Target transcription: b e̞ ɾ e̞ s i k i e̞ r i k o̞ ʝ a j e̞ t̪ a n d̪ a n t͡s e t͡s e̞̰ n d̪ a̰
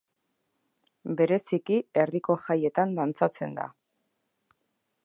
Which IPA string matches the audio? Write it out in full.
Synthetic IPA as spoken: b e̞ ɾ e̞ s i k i e̞ r i k o̞ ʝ a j e̞ t̪ a n d̪ a n t͡s a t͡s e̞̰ n d̪ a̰